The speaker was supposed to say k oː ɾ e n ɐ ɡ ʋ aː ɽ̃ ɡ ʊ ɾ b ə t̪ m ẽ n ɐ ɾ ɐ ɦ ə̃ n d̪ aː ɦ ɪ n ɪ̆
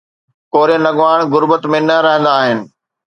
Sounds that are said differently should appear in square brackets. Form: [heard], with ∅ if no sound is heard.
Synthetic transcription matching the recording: k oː ɾ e n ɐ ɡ ʋ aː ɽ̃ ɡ ʊ ɾ b ə t̪ m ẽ n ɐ ɾ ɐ ɦ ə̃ n d̪ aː ɦ ɪ n ɪ̆